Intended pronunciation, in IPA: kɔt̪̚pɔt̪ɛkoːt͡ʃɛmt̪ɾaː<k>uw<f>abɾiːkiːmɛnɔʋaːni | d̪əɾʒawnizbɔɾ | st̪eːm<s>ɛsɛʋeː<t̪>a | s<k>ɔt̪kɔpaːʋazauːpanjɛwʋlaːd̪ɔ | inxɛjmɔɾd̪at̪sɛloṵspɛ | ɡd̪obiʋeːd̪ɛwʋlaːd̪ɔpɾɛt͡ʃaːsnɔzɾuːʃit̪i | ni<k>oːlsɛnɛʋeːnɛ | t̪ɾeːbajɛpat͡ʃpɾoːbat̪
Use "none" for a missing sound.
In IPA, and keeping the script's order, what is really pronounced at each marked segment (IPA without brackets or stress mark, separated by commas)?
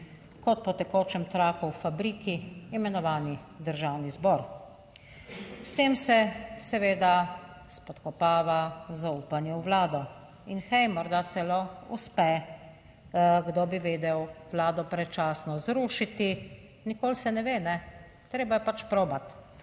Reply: k, f, s, d̪, p, k